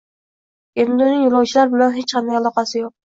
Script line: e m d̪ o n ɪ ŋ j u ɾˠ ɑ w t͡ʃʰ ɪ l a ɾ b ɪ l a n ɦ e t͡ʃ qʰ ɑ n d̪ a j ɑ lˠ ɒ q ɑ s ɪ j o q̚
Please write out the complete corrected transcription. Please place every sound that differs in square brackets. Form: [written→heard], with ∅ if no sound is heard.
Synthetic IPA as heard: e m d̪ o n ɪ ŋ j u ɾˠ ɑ w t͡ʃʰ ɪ l a ɾ b ɪ l a n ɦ e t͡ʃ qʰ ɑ n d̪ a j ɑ lˠ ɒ q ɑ s ɪ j o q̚